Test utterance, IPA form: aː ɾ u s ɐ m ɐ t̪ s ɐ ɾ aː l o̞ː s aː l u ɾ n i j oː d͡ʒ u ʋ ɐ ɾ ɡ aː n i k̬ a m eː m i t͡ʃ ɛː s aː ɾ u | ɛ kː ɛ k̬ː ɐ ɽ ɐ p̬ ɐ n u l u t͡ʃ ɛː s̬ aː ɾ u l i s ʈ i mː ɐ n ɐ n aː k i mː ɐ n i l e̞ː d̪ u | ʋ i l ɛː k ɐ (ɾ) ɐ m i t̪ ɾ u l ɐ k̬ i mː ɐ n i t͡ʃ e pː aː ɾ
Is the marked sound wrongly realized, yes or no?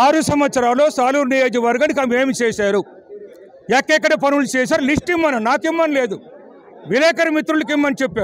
no